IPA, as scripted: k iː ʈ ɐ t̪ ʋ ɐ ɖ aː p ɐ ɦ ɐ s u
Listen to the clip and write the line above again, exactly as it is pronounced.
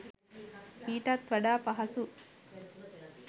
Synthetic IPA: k iː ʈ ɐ t̪ ʋ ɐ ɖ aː p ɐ ɦ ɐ s u